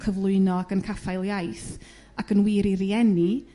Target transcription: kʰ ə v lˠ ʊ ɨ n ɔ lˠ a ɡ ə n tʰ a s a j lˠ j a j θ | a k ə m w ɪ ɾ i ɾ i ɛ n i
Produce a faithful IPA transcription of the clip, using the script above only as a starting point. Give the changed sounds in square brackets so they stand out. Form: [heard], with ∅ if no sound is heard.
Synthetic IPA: kʰ ə v lˠ ʊ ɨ n ɔ [∅] a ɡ ə n [kʰ] a [f] a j lˠ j a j θ | a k ə [n] w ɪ ɾ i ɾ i ɛ n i